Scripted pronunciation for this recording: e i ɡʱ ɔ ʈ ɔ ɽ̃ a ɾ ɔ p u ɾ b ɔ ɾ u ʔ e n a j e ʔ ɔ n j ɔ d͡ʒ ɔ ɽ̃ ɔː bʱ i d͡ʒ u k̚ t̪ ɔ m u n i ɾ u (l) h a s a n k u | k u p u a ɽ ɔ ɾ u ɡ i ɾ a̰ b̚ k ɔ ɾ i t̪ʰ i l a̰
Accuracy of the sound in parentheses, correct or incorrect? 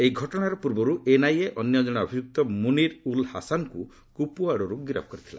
correct